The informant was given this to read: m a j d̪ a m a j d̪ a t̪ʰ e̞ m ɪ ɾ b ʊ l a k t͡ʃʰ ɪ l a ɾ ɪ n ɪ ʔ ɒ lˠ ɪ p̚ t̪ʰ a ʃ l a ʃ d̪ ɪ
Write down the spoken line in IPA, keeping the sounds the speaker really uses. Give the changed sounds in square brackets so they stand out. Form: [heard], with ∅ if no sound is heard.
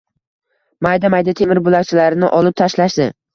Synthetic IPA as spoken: m a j d̪ a m a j d̪ a t̪ʰ e̞ m ɪ ɾ b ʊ l a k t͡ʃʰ ɪ l a ɾ ɪ n ɪ ʔ ɒ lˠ ɪ p̚ t̪ʰ a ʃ l a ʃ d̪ ɪ